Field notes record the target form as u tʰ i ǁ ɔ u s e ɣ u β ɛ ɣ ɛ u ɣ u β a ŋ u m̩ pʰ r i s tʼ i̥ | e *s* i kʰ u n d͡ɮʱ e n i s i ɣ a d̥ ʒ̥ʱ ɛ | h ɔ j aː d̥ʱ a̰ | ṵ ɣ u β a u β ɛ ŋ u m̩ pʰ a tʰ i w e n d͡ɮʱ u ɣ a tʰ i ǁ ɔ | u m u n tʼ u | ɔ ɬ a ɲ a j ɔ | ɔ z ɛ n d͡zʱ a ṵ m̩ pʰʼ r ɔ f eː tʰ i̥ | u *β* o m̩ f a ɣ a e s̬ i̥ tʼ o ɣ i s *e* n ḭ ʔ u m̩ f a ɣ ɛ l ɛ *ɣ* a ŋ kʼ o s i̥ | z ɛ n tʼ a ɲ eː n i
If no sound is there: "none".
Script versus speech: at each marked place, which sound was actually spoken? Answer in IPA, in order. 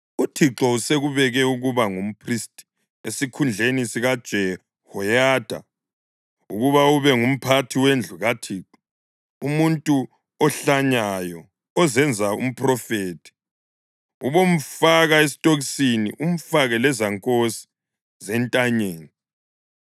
s, β, i, z

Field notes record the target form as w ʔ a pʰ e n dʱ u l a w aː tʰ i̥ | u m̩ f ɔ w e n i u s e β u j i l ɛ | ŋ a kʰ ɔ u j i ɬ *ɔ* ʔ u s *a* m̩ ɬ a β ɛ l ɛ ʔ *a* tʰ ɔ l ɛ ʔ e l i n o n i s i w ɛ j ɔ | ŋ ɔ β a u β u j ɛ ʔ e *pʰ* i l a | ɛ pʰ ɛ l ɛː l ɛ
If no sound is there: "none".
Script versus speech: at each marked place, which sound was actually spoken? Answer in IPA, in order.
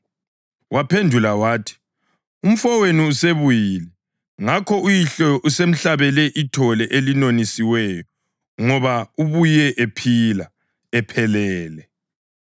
ɔ, e, i, pʰ

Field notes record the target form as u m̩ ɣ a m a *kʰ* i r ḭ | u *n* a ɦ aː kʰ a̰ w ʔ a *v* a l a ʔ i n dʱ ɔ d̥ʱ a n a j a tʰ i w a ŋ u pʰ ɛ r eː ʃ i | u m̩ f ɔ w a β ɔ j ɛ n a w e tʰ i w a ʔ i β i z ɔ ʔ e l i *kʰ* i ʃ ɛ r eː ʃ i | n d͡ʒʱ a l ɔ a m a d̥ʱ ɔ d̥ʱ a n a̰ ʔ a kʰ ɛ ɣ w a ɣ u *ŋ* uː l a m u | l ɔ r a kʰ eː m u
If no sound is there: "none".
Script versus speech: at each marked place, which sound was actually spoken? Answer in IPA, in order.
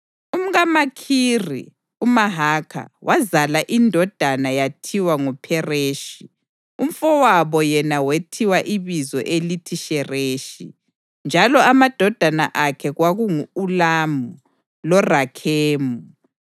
kʰ, m, z, tʰ, ŋ

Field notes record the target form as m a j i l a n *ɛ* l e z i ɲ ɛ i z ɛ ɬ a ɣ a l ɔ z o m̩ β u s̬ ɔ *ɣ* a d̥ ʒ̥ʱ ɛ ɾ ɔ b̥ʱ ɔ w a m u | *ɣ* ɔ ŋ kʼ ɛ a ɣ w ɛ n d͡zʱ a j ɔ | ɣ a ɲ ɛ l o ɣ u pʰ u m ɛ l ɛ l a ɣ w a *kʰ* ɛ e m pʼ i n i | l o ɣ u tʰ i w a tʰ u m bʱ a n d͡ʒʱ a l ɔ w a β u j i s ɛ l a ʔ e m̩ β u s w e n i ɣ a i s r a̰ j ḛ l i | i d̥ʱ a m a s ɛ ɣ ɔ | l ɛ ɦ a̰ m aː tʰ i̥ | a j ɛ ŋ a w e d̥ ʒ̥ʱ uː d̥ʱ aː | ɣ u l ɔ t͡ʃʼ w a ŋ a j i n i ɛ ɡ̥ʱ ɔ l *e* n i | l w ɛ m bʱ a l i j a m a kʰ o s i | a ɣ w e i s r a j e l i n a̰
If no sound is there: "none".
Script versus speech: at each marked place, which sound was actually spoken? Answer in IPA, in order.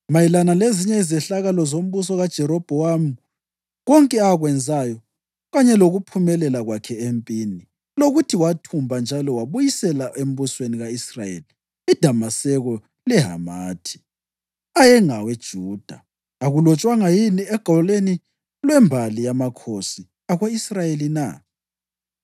a, ɣ, ɣ, kʰ, e

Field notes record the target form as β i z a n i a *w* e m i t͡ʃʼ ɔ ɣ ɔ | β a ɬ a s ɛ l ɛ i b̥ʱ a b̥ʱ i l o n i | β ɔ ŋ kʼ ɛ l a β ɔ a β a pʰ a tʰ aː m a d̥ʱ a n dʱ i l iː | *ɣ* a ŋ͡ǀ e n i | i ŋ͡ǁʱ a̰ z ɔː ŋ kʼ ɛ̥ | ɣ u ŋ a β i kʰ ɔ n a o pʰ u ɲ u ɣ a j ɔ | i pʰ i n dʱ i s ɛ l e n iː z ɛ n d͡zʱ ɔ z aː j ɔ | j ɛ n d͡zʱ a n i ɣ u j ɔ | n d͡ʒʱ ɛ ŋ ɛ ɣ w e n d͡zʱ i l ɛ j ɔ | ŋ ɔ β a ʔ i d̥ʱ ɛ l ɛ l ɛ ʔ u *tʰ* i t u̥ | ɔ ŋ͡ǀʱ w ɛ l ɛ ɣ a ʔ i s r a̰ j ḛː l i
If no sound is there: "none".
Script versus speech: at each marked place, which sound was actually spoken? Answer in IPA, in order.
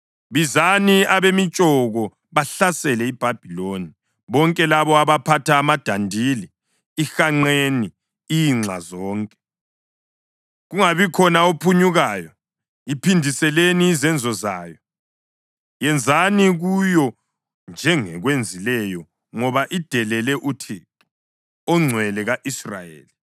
β, x, tʰ

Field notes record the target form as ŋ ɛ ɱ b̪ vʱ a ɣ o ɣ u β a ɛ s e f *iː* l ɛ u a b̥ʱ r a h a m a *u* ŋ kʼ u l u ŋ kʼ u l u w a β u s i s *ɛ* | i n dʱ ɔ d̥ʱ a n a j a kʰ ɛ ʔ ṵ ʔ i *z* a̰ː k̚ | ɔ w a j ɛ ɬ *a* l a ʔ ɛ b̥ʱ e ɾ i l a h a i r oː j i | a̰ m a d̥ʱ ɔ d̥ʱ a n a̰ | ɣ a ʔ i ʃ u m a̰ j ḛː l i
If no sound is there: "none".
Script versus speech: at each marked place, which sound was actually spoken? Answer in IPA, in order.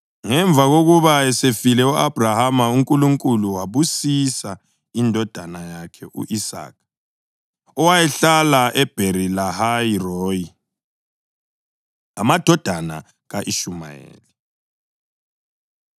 i, u, a, s, a

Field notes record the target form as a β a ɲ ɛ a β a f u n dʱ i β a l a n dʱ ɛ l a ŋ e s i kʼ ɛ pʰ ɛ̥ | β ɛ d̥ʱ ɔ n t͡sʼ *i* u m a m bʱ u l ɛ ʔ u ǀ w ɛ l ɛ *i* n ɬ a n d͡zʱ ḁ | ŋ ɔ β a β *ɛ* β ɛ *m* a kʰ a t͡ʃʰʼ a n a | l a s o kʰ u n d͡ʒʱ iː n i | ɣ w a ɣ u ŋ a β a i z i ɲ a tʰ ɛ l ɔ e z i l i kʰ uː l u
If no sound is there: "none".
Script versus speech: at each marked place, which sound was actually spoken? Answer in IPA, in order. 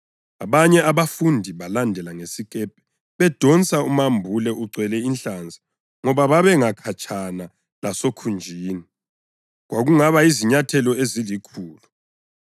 a, i, a, ŋ

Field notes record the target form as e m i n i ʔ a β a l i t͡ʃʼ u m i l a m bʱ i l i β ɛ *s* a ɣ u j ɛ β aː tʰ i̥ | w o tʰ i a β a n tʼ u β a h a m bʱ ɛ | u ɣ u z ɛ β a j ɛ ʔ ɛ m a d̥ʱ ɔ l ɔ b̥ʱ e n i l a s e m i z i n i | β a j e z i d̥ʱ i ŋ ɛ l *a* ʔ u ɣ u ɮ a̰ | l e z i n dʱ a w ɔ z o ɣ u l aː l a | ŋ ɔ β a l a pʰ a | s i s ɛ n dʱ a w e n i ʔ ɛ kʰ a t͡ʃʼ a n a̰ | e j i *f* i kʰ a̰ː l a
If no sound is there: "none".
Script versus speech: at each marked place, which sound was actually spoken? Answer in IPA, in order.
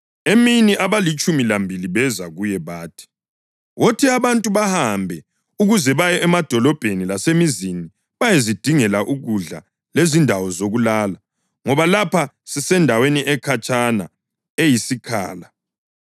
z, a, s

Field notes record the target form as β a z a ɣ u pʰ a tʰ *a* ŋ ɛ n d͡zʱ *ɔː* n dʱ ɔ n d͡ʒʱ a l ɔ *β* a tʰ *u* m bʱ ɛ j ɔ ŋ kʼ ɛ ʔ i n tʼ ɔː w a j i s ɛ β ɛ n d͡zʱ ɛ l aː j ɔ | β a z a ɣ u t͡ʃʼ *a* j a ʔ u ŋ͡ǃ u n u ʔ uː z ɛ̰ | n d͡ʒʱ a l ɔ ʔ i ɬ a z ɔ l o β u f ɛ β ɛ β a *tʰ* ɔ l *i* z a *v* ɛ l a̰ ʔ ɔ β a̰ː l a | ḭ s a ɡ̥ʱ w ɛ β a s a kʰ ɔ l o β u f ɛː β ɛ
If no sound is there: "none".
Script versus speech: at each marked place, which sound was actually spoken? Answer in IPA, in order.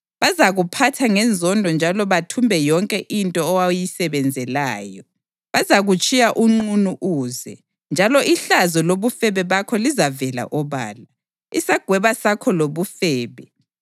a, ɔ, β, u, i, kʰ, i, v

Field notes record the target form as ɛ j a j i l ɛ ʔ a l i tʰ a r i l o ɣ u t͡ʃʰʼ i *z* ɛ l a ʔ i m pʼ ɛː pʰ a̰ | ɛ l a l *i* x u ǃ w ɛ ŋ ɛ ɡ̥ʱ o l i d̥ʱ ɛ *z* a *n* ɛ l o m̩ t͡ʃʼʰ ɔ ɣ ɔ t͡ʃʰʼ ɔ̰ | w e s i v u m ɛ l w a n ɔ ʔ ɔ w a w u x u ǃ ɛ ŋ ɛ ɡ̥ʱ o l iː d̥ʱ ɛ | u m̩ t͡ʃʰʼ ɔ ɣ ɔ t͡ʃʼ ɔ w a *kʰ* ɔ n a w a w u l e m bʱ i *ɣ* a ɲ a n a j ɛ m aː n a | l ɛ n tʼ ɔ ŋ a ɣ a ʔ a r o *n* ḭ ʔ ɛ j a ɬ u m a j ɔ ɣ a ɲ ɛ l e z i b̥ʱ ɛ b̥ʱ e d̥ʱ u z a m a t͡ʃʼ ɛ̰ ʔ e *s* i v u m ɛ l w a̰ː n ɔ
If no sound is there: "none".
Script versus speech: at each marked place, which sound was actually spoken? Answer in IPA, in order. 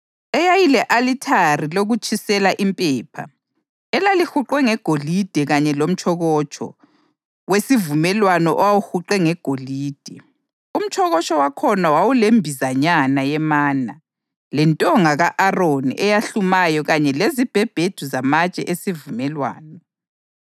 s, i, ɣ, ɲ, kʰ, z, n, s

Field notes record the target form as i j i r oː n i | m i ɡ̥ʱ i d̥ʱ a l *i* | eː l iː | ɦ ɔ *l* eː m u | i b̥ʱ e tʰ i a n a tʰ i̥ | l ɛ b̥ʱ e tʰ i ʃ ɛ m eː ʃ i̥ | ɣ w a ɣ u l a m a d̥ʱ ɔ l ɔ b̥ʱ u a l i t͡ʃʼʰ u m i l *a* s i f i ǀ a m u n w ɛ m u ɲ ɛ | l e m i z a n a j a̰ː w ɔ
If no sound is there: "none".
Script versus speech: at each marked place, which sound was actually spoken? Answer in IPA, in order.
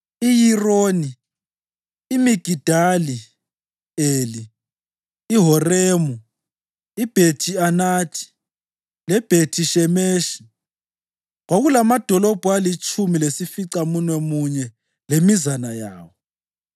i, r, e

